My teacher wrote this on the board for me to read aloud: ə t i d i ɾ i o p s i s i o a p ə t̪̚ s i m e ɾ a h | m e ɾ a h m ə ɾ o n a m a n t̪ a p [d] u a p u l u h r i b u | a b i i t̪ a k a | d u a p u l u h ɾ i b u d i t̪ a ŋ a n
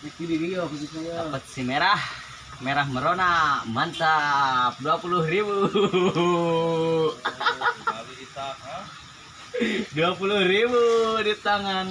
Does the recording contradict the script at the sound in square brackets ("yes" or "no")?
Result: no